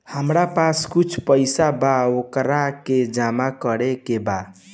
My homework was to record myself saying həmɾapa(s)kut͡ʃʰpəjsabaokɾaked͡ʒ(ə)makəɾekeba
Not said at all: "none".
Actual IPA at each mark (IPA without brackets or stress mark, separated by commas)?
s, a